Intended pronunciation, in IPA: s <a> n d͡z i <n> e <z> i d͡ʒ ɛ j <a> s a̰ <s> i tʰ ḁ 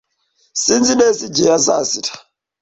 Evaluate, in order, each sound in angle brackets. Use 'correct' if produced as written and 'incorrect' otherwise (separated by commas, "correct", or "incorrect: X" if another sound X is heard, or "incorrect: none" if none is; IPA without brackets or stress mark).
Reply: incorrect: i, correct, incorrect: s, correct, correct